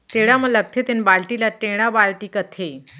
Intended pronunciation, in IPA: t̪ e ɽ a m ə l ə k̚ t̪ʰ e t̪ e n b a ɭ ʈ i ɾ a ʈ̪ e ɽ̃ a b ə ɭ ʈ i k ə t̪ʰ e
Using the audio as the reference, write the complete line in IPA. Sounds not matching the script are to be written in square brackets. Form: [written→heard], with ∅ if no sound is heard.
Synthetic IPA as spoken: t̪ e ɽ a m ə l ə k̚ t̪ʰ e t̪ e n b a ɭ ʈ i [ɾ→l] a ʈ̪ e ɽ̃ a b [ə→a] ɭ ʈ i k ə t̪ʰ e